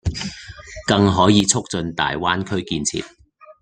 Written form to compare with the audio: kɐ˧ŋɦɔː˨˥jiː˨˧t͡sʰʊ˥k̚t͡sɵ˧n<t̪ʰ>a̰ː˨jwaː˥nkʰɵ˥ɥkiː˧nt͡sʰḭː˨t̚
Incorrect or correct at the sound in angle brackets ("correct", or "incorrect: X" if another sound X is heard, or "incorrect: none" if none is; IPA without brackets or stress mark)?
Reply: incorrect: t̪